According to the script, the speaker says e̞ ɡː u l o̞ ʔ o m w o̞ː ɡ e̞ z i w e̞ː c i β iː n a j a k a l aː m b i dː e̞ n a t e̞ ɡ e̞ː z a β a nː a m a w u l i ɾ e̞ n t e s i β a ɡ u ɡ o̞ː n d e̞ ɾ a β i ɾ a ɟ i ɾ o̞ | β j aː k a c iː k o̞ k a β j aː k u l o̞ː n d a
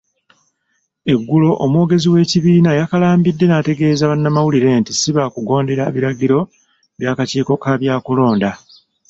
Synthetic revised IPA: e̞ ɡː u l o̞ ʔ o m w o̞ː ɡ e̞ z i w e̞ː c i β iː n a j a k a l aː m b i dː e̞ n a t e̞ ɡ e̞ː z a β a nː a m a w u l i ɾ e̞ n t i s i β a k u ɡ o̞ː n d e̞ ɾ a β i ɾ a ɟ i ɾ o̞ | β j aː k a c iː k o̞ k a β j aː k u l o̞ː n d a